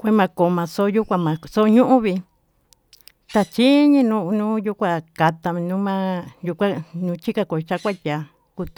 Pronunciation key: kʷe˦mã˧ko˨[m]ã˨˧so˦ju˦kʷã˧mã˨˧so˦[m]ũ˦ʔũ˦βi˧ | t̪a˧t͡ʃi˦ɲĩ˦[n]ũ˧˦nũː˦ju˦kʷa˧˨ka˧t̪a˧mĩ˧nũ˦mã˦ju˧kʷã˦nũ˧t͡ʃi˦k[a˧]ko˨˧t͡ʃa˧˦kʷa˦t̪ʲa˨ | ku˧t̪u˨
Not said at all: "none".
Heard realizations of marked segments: m, ɲ, n, a˧

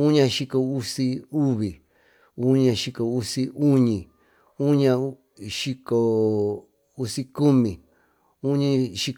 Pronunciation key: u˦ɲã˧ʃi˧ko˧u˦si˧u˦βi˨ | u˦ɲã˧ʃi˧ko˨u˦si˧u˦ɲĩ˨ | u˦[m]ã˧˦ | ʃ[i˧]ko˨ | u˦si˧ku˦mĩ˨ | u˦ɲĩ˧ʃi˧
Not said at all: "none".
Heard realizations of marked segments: ɲ, i˧

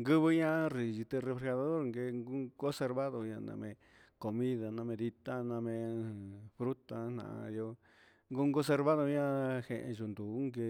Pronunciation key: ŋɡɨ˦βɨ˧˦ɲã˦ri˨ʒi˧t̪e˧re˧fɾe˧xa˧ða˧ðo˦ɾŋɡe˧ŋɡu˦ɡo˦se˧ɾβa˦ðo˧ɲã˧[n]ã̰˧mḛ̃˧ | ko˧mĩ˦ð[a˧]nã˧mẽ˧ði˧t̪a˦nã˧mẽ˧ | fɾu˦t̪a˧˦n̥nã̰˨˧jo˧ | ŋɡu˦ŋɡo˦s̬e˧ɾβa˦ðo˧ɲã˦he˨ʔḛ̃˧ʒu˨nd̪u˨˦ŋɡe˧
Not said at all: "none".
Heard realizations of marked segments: n, a˧

